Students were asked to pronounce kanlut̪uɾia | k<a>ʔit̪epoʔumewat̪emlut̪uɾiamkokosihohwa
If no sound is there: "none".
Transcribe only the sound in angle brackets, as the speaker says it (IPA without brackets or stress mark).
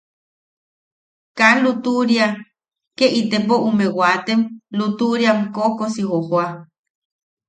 e